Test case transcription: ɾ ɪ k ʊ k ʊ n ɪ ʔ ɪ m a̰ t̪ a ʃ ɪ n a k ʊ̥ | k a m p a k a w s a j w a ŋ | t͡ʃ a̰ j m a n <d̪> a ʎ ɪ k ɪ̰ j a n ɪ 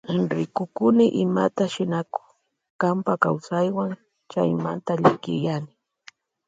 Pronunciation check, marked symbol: incorrect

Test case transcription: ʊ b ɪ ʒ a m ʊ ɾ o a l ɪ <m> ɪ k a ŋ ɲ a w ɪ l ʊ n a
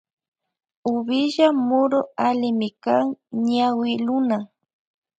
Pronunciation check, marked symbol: correct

